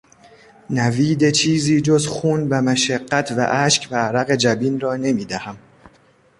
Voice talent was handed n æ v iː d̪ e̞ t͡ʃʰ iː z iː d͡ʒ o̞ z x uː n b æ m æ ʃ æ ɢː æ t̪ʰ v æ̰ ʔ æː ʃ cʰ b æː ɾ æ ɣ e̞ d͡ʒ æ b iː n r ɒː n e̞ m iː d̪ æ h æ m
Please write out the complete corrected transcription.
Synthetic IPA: n æ v iː d̪ e̞ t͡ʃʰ iː z iː d͡ʒ o̞ z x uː n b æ m æ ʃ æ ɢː æ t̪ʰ v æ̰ ʔ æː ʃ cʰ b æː ɾ æ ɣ e̞ d͡ʒ æ b iː n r ɒː n e̞ m iː d̪ æ h æ m